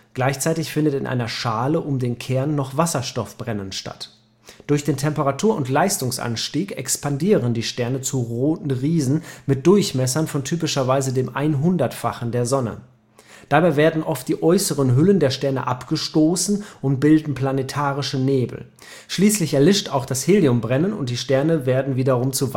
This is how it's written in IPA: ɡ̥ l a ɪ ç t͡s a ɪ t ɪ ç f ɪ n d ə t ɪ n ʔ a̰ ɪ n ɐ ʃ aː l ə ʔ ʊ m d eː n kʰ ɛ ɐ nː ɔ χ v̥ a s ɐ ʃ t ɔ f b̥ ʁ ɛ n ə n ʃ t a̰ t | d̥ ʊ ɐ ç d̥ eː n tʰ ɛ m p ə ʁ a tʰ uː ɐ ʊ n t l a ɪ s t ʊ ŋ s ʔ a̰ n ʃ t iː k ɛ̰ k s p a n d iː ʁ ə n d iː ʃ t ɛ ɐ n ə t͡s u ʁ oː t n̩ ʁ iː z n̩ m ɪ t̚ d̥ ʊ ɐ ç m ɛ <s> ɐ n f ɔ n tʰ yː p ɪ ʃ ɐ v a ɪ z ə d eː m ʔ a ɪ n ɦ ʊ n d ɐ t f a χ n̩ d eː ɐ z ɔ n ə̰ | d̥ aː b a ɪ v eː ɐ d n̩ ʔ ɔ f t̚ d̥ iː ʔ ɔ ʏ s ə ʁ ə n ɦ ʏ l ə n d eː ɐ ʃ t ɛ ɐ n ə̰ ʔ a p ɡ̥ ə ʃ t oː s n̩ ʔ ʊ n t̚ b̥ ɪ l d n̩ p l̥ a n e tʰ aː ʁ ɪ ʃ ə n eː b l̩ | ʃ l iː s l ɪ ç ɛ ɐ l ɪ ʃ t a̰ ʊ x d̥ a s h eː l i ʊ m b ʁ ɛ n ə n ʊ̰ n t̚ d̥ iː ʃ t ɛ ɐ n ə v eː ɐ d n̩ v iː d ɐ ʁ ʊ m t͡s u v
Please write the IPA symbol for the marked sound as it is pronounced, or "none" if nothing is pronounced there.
s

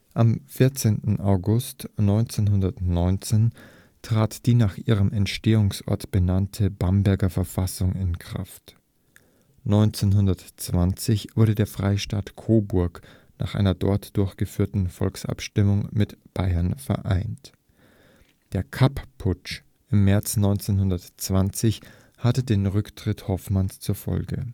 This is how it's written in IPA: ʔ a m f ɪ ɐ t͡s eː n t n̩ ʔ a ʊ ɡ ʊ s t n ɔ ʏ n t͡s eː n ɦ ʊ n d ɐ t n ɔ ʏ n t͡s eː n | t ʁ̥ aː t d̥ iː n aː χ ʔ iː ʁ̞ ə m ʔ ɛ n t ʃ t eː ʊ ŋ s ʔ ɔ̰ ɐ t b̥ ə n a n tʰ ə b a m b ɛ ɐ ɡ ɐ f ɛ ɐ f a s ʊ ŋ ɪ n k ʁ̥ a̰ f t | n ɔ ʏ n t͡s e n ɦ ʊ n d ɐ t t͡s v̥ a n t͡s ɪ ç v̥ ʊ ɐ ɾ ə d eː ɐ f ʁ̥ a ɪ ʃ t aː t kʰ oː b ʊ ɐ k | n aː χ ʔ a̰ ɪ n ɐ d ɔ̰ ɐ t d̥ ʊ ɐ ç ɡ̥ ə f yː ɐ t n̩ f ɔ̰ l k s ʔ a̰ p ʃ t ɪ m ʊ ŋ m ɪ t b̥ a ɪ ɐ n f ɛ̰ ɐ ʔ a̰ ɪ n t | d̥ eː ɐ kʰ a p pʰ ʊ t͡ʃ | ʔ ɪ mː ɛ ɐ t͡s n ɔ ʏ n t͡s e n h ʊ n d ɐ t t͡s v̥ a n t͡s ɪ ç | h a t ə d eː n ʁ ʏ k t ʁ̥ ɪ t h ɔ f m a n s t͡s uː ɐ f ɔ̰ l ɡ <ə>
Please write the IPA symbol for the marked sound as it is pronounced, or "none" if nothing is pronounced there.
ə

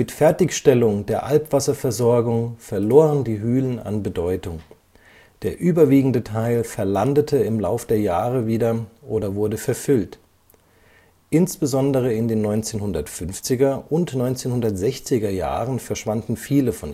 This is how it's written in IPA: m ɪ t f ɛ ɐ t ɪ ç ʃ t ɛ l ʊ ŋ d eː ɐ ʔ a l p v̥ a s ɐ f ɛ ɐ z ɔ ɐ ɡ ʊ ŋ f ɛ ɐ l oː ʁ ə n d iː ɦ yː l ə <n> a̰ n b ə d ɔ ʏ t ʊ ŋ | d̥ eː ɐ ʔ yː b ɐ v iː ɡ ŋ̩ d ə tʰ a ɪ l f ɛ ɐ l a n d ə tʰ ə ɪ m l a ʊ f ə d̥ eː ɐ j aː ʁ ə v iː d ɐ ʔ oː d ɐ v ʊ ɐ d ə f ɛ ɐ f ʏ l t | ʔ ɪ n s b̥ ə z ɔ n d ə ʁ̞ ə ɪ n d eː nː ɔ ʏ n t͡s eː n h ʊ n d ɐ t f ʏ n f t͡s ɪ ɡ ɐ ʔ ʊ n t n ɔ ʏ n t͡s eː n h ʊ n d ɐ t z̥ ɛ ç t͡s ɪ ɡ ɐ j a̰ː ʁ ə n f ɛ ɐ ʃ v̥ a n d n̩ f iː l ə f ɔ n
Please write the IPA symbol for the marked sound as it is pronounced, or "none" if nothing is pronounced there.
n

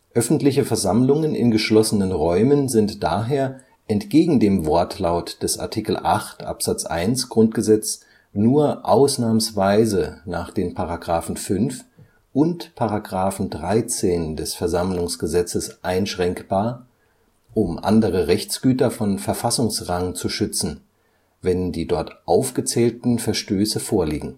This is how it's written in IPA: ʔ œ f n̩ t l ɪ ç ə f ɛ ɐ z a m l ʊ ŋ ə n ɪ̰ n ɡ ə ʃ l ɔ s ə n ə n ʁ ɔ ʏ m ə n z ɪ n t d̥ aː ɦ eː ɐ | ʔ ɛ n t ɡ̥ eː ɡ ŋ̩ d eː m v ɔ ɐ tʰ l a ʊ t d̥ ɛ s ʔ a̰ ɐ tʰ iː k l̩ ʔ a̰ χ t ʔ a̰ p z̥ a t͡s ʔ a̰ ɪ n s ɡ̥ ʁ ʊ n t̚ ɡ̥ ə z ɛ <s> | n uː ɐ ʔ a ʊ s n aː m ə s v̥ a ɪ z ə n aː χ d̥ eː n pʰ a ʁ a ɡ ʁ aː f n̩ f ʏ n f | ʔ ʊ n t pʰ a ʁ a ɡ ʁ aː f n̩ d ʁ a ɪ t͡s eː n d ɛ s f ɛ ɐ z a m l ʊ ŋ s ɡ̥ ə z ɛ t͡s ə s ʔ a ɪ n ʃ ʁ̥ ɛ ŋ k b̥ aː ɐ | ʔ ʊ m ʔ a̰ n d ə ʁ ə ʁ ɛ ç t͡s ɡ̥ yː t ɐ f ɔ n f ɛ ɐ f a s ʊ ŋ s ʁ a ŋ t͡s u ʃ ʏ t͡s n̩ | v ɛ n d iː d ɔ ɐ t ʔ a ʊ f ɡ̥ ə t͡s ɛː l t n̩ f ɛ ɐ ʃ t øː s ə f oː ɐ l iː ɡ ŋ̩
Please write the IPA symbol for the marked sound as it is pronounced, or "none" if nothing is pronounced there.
t͡s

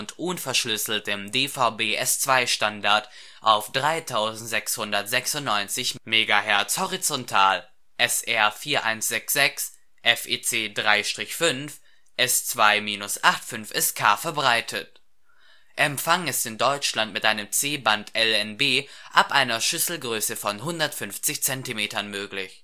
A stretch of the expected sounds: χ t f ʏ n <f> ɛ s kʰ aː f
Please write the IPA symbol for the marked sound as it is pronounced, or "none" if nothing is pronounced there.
f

